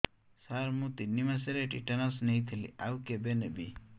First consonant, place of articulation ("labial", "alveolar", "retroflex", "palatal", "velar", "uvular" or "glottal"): alveolar